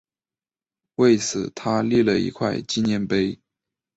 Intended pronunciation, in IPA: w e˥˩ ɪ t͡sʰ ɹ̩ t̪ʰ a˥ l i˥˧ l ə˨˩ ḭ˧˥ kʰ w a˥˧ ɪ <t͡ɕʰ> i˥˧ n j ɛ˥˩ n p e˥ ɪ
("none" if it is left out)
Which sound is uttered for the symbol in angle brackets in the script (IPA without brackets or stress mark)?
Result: t͡ɕ